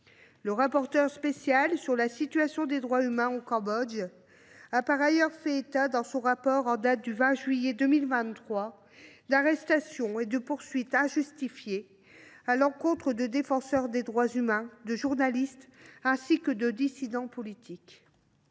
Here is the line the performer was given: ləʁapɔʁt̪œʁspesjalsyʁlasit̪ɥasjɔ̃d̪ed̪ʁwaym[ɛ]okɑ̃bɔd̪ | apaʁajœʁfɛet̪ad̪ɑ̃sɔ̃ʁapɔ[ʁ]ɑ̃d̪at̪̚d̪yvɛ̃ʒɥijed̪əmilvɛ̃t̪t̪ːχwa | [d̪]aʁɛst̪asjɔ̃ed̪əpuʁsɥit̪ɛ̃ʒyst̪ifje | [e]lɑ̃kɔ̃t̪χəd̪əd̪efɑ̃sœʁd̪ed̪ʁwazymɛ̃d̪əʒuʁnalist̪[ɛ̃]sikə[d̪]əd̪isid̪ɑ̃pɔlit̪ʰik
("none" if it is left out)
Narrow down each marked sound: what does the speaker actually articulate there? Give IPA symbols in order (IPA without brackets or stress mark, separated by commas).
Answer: ɛ̃, ʁ, d̪, a, ɛ̃, d̪